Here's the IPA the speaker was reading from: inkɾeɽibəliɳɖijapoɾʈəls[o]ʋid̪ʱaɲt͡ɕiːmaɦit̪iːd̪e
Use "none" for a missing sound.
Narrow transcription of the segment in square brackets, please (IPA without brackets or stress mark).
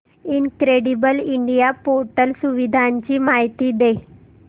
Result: u